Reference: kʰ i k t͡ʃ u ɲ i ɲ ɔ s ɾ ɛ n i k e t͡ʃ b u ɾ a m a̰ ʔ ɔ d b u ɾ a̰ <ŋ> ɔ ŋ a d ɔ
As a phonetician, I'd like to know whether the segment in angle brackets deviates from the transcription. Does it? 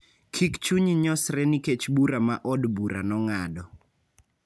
yes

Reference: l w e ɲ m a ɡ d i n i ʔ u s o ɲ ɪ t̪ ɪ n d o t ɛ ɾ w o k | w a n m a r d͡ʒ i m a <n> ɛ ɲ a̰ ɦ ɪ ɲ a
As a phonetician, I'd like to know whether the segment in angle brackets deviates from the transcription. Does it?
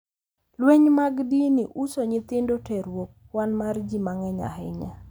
yes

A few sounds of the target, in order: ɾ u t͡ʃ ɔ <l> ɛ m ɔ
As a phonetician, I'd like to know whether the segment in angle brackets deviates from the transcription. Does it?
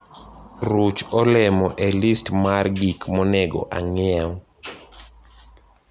no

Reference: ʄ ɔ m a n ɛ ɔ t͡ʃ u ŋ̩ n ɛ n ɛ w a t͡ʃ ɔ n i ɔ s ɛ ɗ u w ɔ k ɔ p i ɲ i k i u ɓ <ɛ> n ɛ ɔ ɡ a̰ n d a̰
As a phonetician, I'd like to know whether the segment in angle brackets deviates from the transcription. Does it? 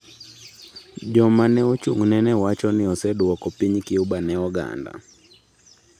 yes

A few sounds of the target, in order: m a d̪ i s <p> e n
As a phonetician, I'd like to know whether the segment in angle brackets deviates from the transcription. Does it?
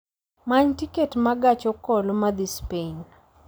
no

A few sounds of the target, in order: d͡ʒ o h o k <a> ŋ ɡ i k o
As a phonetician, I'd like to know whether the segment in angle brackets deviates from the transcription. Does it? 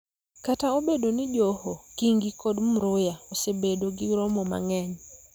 yes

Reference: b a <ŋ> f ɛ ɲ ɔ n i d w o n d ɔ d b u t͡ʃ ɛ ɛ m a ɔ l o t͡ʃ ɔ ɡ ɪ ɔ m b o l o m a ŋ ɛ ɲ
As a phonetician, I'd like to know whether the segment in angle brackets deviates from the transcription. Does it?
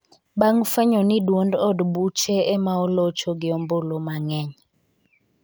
no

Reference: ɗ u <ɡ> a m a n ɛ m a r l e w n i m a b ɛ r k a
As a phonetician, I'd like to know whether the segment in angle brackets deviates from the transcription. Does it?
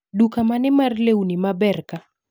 yes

